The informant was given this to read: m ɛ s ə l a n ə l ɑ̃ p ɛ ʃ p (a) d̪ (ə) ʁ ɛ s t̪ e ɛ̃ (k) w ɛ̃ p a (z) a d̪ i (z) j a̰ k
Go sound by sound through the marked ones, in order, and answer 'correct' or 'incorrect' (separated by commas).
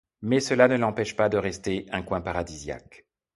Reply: correct, correct, correct, incorrect, correct